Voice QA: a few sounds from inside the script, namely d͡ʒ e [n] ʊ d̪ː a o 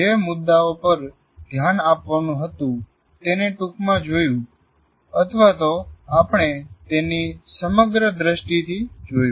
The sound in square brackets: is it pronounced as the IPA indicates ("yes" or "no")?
no